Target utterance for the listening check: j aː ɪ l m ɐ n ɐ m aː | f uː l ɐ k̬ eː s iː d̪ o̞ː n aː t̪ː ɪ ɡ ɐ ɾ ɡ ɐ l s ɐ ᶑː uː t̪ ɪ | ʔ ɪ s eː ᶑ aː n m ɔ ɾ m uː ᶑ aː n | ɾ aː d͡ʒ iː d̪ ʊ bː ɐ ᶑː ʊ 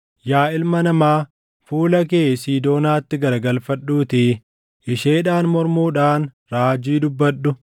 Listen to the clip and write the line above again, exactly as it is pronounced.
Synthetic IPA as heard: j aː ɪ l m ɐ n ɐ m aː | f uː l ɐ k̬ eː s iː d̪ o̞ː n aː t̪ː ɪ ɡ ɐ ɾ ɡ ɐ l f ɐ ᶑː uː t̪ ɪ | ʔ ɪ ʃ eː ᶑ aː n m ɔ ɾ m uː ᶑ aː n | ɾ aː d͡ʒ iː d̪ ʊ bː ɐ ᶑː ʊ